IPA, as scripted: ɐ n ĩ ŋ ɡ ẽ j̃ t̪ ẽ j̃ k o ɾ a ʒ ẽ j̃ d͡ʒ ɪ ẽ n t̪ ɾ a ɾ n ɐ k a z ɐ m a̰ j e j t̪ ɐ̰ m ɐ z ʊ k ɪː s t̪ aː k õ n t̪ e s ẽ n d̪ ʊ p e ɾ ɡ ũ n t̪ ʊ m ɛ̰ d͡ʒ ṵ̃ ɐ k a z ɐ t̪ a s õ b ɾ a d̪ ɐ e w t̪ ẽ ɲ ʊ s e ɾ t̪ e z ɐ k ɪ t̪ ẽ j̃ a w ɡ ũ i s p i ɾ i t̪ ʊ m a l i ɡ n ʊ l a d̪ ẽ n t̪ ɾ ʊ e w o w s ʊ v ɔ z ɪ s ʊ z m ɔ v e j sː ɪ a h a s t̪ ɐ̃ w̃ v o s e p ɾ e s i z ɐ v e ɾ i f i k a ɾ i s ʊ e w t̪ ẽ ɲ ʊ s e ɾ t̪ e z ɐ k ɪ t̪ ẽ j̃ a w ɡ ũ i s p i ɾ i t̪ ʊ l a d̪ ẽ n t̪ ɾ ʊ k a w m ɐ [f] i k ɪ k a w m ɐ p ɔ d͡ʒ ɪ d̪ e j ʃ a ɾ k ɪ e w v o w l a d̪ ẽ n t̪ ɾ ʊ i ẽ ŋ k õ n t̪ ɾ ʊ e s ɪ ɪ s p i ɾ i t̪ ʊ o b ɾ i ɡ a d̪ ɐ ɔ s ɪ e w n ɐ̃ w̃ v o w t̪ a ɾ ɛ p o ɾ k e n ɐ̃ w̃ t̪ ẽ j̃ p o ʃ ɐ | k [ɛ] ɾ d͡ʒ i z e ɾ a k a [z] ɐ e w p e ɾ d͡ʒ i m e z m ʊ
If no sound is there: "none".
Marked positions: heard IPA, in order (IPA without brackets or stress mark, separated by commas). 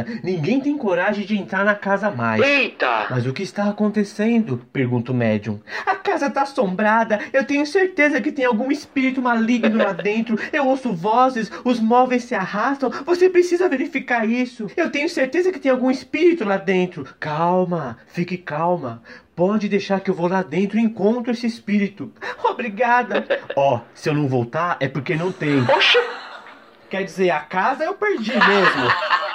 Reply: f, ɛ, z